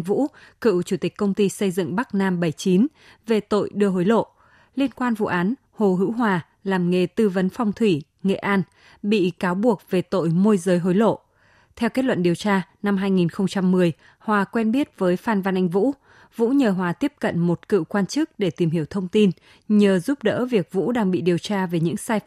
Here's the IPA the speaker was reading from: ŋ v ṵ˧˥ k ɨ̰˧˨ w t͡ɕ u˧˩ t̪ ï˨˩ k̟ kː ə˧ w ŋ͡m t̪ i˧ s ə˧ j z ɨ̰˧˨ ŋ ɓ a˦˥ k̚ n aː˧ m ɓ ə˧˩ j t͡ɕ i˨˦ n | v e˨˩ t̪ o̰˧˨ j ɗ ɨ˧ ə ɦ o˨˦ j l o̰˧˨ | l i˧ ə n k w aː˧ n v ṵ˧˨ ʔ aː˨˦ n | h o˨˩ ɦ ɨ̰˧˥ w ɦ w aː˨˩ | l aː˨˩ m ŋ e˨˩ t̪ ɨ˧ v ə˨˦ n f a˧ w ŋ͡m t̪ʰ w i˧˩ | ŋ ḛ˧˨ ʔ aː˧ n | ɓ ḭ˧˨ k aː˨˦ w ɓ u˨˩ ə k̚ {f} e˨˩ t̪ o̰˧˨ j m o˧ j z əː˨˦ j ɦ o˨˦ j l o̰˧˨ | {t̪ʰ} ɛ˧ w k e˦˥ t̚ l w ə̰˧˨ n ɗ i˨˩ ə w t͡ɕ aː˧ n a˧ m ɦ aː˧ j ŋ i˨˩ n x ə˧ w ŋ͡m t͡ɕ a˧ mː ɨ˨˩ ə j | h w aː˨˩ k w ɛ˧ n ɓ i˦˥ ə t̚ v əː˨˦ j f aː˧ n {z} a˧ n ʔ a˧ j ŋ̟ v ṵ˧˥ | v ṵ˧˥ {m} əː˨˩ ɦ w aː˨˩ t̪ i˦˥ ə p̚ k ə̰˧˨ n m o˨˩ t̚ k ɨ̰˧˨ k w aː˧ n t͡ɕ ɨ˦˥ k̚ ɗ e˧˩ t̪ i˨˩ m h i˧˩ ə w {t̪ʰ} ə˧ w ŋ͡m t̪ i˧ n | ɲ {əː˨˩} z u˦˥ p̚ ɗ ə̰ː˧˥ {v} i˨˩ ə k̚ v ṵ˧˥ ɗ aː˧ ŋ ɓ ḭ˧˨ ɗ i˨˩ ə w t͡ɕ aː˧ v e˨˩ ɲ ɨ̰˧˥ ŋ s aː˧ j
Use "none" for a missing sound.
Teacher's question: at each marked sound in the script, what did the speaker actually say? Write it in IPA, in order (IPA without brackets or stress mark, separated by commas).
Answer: v, t̪ʰ, v, ɲ, t̪ʰ, əː˨˩, v